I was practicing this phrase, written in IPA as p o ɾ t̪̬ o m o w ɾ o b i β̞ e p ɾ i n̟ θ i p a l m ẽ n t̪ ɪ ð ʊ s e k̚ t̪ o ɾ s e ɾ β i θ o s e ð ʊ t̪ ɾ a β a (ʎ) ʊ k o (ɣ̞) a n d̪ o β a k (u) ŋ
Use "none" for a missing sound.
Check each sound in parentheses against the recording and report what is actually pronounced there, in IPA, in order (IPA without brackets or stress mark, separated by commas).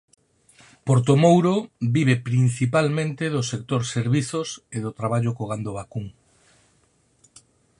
ʎ, ɣ̞, u